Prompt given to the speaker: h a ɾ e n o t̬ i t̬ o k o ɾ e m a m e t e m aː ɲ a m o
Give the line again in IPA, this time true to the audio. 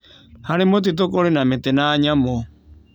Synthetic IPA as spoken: h a ɾ e m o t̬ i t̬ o k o ɾ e n a m e t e n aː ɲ a m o